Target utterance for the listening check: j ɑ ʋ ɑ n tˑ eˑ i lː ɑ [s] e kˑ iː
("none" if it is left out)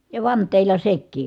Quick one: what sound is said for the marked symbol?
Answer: s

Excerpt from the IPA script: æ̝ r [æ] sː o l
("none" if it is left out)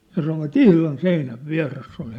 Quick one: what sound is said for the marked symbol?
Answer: e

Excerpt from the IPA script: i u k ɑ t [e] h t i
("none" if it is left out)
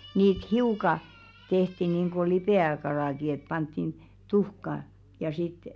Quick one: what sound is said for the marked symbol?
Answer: e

